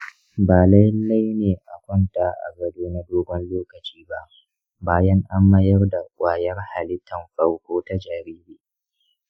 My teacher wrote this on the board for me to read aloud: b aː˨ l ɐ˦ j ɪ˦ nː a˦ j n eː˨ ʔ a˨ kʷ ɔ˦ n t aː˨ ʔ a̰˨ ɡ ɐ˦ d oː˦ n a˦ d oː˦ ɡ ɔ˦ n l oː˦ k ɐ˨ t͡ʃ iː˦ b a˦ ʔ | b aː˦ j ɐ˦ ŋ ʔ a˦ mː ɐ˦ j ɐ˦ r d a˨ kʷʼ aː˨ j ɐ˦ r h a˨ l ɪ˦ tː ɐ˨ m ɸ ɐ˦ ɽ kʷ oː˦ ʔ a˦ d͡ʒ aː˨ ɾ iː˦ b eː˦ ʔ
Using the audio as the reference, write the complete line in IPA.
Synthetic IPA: b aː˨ l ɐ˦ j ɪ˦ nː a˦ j n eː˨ ʔ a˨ kʷ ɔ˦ n t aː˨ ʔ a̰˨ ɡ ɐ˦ d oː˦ n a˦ d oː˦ ɡ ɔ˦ n l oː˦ k ɐ˨ t͡ʃ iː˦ b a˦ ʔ | b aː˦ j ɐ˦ ŋ ʔ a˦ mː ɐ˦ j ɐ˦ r d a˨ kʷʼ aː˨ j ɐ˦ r h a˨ l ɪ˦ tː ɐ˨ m ɸ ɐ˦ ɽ kʷ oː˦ t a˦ d͡ʒ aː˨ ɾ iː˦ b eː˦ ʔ